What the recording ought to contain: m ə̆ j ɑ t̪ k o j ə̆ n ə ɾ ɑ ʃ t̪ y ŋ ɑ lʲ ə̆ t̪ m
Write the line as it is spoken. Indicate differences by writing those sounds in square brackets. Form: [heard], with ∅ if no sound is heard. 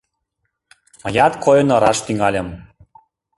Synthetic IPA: m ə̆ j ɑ t̪ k o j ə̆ n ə ɾ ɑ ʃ t̪ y ŋ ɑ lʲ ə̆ [∅] m